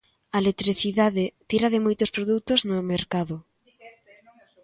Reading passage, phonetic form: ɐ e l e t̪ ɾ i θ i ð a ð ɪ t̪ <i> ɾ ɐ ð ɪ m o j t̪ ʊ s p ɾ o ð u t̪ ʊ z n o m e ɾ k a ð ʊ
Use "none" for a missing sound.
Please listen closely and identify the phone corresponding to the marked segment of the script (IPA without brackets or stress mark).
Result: i